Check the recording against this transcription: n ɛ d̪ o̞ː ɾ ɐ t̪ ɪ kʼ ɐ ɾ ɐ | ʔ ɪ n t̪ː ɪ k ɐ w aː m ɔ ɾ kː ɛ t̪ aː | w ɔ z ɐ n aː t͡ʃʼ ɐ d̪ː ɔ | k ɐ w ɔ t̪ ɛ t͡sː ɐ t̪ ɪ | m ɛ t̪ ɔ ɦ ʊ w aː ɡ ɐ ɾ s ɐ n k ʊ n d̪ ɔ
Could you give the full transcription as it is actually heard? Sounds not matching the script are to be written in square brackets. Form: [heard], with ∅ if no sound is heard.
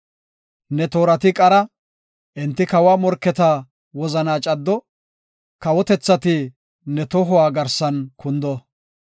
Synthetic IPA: n ɛ [t̪] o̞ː ɾ ɐ t̪ ɪ kʼ ɐ ɾ ɐ | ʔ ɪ n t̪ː ɪ k ɐ w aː m ɔ ɾ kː ɛ t̪ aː | w ɔ z ɐ n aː t͡ʃʼ ɐ d̪ː ɔ | k ɐ w ɔ t̪ ɛ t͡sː ɐ t̪ ɪ | [n] ɛ t̪ ɔ ɦ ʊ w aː ɡ ɐ ɾ s ɐ n k ʊ n d̪ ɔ